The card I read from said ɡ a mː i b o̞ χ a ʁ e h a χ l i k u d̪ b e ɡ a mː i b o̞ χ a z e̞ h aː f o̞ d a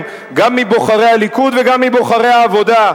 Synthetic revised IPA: ɡ a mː i b o̞ χ a ʁ e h a l i k u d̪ v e ɡ a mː i b o̞ χ a ʁ e̞ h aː v o̞ d a